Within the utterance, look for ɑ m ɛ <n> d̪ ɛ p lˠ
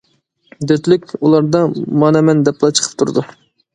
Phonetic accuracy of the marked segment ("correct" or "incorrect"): correct